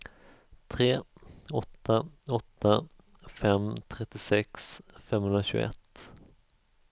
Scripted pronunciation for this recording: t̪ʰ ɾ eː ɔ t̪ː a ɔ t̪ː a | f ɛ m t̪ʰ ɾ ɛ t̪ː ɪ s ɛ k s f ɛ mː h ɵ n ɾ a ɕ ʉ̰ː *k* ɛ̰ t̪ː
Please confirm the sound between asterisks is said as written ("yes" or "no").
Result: no